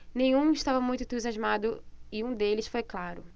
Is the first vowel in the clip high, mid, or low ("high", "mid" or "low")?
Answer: mid